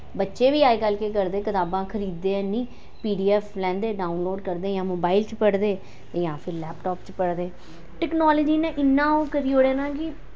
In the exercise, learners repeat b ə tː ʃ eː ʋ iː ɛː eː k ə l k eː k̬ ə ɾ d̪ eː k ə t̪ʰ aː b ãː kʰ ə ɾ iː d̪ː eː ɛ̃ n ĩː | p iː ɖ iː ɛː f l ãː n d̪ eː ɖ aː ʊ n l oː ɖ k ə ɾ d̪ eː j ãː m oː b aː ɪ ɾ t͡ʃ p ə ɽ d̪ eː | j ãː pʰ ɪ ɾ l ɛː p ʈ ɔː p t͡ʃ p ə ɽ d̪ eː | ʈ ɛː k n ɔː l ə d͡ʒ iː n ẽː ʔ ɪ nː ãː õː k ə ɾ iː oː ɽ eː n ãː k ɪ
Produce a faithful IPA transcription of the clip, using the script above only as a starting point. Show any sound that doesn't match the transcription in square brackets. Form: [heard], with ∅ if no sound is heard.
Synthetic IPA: b ə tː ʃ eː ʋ iː [aː] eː k ə l k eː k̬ ə ɾ d̪ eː k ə [t̪] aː b ãː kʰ ə ɾ iː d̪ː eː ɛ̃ n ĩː | p iː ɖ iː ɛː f l [ɛ̃ː] n d̪ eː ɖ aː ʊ n l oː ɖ k ə ɾ d̪ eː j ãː m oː b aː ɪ [l] t͡ʃ p ə ɽ d̪ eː | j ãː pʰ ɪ ɾ l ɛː p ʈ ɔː p t͡ʃ p ə ɽ d̪ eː | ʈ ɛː k n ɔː l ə d͡ʒ iː n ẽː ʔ ɪ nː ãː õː k ə ɾ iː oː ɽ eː n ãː k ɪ